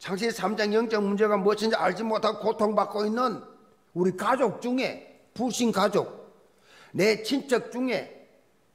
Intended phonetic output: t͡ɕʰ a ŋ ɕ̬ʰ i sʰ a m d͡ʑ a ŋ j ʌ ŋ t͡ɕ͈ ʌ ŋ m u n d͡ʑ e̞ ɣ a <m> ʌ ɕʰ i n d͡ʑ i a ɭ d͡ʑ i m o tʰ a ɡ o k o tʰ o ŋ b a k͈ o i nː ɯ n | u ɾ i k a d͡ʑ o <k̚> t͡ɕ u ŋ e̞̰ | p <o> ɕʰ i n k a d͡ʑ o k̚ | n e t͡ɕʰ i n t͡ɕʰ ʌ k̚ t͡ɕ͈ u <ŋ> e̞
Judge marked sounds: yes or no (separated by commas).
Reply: yes, yes, no, yes